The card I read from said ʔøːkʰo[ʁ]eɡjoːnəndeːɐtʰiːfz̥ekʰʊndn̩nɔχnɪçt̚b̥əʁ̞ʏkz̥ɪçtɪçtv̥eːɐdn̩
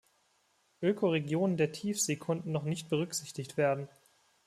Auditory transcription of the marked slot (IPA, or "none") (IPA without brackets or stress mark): ʁ